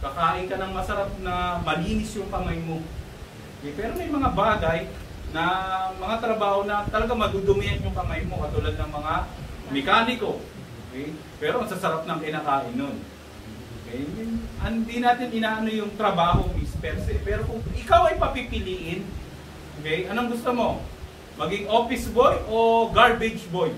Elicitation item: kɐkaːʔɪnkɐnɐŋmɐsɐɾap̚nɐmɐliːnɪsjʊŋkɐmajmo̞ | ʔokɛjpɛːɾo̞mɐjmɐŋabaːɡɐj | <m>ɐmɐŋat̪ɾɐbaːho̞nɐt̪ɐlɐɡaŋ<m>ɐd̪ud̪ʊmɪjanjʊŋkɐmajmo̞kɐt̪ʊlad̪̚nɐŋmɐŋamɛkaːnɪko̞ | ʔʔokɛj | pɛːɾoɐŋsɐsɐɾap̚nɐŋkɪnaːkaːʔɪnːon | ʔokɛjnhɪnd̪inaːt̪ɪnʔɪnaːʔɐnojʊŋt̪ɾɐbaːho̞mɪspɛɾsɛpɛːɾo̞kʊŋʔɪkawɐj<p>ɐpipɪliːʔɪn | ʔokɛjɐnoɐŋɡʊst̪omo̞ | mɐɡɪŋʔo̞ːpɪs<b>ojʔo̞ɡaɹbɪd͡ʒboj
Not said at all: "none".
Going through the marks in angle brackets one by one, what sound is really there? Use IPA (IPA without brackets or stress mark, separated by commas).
n, m, p, b